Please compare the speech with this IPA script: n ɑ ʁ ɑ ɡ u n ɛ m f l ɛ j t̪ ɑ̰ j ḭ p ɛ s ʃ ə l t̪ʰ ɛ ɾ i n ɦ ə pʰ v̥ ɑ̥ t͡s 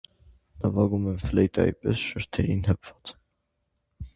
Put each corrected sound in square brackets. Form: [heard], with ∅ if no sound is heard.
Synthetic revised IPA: n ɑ [v] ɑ ɡ u [m] ɛ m f l ɛ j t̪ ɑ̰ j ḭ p ɛ s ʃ ə [ɾ] t̪ʰ ɛ ɾ i n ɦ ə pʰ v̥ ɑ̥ t͡s